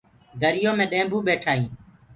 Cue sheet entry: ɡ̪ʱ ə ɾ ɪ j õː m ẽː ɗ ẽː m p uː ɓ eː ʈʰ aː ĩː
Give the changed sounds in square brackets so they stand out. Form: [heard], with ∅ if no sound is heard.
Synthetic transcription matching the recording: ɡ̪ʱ ə ɾ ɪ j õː m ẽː ɗ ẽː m [b] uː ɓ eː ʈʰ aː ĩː